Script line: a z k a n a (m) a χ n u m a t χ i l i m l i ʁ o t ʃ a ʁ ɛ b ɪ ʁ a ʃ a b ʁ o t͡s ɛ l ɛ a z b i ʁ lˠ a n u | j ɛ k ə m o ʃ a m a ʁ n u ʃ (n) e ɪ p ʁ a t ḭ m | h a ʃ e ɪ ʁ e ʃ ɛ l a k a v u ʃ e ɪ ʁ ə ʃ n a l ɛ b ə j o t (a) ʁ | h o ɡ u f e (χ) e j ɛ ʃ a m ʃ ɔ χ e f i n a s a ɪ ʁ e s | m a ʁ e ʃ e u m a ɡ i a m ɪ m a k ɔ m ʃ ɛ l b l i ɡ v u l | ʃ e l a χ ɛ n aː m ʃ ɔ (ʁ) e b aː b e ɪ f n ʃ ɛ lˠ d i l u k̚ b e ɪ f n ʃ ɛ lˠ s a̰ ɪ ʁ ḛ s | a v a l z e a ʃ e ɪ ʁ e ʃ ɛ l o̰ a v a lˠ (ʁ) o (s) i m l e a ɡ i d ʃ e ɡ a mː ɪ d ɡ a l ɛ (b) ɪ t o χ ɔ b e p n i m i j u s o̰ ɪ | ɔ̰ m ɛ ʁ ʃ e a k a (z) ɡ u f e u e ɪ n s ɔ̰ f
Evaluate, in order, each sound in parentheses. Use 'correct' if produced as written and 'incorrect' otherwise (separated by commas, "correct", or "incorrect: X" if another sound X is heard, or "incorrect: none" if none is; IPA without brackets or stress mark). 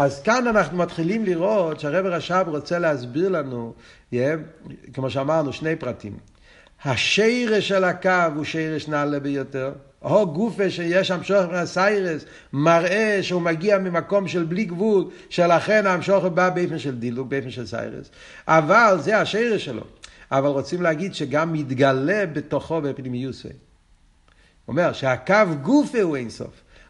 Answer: incorrect: n, correct, incorrect: ɛ, incorrect: ʃ, incorrect: χ, correct, incorrect: t͡s, correct, incorrect: v